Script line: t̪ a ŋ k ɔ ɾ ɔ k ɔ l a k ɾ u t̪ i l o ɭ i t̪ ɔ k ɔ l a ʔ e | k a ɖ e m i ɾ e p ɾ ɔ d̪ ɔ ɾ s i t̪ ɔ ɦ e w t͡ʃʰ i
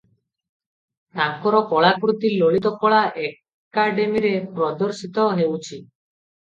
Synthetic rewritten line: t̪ a ŋ k ɔ ɾ ɔ k ɔ ɭ a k ɾ u t̪ i l o ɭ i t̪ ɔ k ɔ ɭ a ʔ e | k a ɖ e m i ɾ e p ɾ ɔ d̪ ɔ ɾ s i t̪ ɔ ɦ e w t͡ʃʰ i